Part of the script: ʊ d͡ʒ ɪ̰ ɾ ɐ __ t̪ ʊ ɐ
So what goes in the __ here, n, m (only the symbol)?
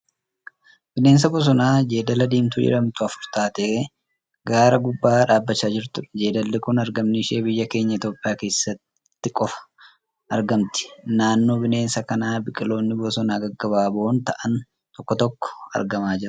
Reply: m